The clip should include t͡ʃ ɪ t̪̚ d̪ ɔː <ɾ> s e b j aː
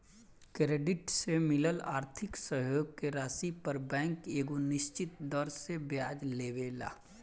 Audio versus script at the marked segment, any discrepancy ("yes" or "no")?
no